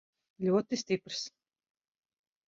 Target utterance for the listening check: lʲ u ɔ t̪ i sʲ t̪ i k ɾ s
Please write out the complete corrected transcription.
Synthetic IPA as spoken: lʲ u ɔ t̪ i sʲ t̪ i p ɾ s